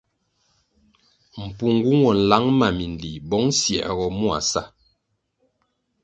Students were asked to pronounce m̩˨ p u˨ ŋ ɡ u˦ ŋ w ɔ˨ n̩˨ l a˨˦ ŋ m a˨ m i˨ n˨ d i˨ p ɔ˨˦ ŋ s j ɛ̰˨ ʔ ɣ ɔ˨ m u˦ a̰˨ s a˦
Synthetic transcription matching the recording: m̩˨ p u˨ ŋ ɡ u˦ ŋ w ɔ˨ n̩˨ l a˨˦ ŋ m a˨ m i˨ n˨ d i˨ b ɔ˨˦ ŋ s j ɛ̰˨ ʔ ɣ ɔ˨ m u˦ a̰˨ s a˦